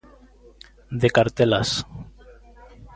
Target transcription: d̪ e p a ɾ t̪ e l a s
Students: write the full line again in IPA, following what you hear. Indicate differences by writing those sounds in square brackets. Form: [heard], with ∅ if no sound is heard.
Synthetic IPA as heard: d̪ e [k] a ɾ t̪ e l a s